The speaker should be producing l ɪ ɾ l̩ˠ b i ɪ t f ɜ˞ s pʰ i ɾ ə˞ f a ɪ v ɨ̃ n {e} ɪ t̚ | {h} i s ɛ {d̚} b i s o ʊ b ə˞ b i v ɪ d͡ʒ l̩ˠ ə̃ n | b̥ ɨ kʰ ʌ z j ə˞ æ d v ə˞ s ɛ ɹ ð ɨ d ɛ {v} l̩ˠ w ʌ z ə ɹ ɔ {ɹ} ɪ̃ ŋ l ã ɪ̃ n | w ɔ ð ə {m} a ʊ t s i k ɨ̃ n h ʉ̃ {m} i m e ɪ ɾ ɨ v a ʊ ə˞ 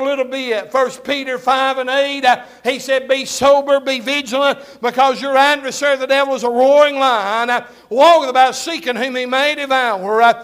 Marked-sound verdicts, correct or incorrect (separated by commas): correct, correct, correct, correct, correct, incorrect, correct